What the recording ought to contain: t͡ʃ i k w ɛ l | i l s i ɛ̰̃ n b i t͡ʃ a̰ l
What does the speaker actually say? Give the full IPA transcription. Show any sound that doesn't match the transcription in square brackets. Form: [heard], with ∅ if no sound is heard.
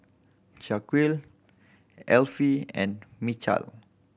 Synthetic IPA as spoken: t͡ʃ [a] k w [i] l | [ɛ] l [f] i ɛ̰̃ n [m] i t͡ʃ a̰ l

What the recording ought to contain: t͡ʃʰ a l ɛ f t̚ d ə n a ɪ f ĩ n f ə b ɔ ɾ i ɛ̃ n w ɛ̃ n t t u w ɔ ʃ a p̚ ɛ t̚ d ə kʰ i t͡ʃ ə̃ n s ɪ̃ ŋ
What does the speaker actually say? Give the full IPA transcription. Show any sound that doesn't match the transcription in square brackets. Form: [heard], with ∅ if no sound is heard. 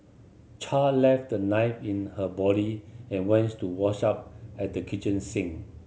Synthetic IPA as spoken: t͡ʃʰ a l ɛ f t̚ d ə n a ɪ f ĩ n [h] ə b ɔ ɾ i ɛ̃ n w ɛ̃ n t t u w ɔ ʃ a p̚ ɛ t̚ d ə kʰ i t͡ʃ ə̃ n s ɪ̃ ŋ

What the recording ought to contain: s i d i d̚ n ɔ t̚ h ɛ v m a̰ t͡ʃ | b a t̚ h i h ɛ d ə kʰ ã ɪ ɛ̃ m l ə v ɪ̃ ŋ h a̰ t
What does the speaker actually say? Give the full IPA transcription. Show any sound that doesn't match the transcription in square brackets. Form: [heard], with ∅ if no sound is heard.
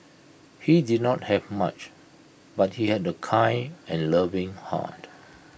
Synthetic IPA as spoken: [h] i d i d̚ n ɔ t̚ h ɛ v m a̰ t͡ʃ | b a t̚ h i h ɛ d ə kʰ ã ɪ ɛ̃ [n] l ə v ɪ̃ ŋ h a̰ t

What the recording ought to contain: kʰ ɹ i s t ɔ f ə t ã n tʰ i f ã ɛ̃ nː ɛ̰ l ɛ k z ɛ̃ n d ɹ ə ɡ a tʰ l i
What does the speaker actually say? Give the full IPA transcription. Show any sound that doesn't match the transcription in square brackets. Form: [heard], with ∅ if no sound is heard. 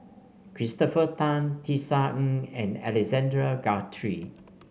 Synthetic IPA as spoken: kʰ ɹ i s t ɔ f ə t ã n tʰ i [s] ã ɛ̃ [n] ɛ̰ l ɛ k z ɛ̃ n d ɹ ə ɡ a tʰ [ɹ] i

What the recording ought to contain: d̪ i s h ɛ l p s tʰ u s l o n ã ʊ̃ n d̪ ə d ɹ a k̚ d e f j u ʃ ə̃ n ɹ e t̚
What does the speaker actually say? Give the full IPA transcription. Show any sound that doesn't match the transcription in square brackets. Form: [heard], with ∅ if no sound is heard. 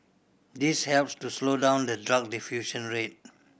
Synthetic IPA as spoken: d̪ i s h ɛ l p s [t] u s l o [d] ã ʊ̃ n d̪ ə d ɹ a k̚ d [i] f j u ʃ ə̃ n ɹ e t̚

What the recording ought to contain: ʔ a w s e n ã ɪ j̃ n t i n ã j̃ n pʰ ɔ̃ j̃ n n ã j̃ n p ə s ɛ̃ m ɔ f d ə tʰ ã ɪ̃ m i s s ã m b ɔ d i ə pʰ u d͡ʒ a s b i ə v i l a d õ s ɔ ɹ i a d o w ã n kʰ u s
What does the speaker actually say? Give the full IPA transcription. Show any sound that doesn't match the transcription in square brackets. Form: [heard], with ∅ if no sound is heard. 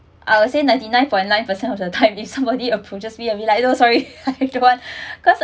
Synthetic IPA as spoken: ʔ a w s e n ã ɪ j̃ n t i n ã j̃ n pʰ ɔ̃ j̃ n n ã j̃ n p ə s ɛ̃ [n] ɔ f d ə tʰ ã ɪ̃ m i [f] s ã m b ɔ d i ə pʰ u d͡ʒ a s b i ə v i l a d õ s ɔ ɹ i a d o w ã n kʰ [ɔ] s

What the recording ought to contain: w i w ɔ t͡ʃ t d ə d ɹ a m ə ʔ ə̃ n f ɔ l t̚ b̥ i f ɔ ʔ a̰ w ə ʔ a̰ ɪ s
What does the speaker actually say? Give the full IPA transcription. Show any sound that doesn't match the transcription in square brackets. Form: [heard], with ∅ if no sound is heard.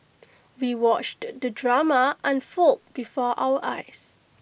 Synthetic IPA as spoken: w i w ɔ t͡ʃ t d ə d ɹ a m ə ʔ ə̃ n f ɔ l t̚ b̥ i f ɔ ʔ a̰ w ə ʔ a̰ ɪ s

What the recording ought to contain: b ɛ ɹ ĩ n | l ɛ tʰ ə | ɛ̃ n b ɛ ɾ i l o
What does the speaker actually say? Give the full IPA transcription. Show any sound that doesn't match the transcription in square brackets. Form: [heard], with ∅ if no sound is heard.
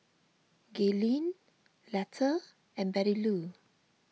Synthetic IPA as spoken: [ɡ] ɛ [l] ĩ n | l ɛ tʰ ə | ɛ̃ n b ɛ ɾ i l [u]

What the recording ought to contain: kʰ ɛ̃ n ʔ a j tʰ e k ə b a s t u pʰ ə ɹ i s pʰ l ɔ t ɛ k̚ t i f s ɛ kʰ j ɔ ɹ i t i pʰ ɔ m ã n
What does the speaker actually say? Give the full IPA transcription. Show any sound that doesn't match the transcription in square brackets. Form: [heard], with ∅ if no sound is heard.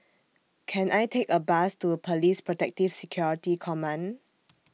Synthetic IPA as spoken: kʰ ɛ̃ n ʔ a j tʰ e k ə b a s t u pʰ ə [l] i s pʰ [ɹ] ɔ t ɛ k̚ t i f s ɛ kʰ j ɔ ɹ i t i [kʰ] ɔ m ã n

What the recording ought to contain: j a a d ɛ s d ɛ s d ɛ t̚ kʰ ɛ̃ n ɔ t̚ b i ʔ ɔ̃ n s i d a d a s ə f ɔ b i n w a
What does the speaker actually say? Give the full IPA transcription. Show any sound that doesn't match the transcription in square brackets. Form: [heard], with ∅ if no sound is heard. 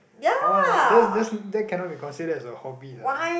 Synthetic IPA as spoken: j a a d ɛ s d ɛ s d ɛ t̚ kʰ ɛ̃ n ɔ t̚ b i [k] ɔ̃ n s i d [ə] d [ɛ] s ə [h] ɔ b i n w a

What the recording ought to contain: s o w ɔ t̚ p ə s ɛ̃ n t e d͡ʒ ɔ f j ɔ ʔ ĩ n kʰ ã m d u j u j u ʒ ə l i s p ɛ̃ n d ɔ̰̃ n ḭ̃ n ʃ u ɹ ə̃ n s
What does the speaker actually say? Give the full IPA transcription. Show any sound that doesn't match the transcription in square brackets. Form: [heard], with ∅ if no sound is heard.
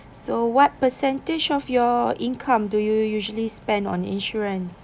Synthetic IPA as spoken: s o w ɔ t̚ p ə s ɛ̃ n t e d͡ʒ ɔ f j ɔ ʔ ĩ n kʰ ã m d u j u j u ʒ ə l i s p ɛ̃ n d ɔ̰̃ n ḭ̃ n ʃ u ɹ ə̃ n s

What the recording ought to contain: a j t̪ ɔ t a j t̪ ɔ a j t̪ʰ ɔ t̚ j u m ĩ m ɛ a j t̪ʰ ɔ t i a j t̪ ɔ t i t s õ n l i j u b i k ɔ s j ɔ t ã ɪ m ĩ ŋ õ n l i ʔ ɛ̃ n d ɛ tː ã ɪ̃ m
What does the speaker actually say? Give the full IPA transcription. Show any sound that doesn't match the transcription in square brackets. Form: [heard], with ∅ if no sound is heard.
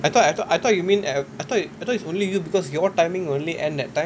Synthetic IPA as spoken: a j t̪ ɔ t a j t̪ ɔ a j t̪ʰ ɔ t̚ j u m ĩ [n] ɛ a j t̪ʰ ɔ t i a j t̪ ɔ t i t s õ n l i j u b i k ɔ s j ɔ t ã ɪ m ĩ ŋ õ n l i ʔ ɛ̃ n d ɛ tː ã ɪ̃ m

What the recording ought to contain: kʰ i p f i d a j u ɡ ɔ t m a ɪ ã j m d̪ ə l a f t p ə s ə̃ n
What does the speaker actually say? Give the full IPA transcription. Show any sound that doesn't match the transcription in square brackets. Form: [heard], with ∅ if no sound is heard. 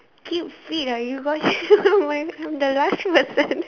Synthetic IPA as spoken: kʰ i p f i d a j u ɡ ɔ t m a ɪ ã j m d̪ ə l a [s] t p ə s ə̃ n

